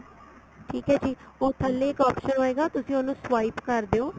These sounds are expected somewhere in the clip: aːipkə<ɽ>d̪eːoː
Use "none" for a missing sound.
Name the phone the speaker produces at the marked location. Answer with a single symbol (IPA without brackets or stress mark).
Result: ɾ